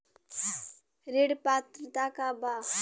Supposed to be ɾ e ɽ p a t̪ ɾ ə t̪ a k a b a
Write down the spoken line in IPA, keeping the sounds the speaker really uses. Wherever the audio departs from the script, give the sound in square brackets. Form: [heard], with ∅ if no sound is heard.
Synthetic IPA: ɾ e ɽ p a t̪ ɾ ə t̪ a k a b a